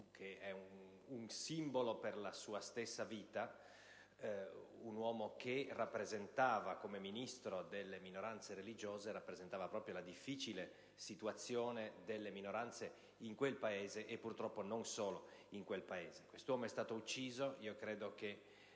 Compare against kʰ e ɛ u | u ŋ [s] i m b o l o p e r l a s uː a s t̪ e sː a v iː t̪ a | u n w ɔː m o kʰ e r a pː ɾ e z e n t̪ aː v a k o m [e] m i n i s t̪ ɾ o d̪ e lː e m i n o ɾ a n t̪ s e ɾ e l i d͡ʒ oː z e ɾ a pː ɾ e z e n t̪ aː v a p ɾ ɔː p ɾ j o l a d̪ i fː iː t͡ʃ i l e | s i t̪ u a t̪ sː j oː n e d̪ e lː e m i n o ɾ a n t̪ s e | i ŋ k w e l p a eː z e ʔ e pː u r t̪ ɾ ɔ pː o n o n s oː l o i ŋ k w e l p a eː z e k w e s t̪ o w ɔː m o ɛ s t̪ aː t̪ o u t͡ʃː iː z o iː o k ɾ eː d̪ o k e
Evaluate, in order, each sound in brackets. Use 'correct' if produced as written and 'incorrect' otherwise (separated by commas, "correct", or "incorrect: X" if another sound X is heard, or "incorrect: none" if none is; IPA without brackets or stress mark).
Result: correct, correct